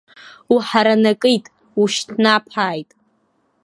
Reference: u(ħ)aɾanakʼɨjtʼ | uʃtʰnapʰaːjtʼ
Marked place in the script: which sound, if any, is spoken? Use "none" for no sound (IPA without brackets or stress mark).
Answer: ħ